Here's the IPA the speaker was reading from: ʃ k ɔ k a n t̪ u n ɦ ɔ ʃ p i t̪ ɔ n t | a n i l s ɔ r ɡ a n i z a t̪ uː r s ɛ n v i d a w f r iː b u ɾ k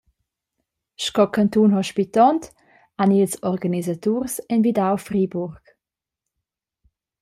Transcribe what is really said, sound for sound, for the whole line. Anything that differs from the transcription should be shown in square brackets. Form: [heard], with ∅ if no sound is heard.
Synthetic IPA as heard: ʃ k ɔ k a n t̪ u n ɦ ɔ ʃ p i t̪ ɔ n t | a n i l s ɔ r ɡ a n i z a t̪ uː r s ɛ n v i d a w f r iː b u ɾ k